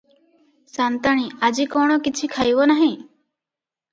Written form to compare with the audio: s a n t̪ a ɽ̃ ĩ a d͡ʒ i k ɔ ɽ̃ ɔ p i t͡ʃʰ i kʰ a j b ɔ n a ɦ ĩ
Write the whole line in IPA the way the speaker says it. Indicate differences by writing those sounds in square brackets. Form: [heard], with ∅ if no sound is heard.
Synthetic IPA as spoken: s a n t̪ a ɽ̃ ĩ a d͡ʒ i k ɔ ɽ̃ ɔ [k] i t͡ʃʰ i kʰ a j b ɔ n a ɦ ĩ